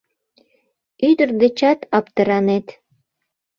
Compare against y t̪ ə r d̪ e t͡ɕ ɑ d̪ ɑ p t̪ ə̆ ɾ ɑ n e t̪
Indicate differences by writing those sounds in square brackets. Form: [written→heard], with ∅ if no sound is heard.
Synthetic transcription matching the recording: y [t̪→d̪] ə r d̪ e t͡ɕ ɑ [d̪→t̪] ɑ p t̪ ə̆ ɾ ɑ n e t̪